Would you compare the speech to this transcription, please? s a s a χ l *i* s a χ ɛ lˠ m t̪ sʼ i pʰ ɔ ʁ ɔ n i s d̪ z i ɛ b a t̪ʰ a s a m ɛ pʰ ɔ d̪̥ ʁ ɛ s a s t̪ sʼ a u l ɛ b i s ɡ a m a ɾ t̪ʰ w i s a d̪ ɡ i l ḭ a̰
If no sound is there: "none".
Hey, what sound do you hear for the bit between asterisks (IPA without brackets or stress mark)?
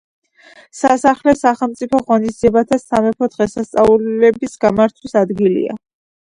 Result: ɛ